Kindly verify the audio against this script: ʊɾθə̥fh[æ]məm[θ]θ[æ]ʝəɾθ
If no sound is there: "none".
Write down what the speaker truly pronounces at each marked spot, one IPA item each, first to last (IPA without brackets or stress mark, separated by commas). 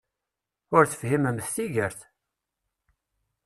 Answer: i, θ, i